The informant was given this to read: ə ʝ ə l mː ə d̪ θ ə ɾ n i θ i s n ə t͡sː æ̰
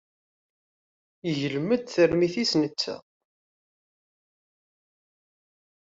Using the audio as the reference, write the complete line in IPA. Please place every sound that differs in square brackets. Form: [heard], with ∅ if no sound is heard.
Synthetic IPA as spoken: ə ʝ ə l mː ə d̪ θ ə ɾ [m] i θ i s n ə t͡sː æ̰